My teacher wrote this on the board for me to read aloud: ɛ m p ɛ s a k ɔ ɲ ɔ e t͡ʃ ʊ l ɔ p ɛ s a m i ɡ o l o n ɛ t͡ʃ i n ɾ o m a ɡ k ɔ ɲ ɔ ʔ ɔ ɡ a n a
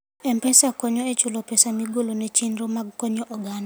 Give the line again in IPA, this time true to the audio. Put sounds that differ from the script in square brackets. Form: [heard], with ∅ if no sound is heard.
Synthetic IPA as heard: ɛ m p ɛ s a k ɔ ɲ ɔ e t͡ʃ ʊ l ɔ p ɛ s a m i ɡ o l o n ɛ t͡ʃ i n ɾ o m a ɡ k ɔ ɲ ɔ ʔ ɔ ɡ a n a